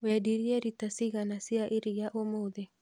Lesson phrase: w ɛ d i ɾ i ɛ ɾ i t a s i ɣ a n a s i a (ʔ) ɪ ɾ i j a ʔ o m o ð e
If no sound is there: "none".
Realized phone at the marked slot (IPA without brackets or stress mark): ʔ